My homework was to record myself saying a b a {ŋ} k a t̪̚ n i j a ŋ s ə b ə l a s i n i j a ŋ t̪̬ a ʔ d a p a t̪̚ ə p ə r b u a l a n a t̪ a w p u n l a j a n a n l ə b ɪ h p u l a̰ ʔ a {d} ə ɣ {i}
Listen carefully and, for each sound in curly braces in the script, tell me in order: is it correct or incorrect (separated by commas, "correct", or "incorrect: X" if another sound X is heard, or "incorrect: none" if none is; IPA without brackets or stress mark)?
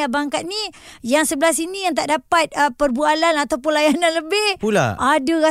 correct, correct, incorrect: a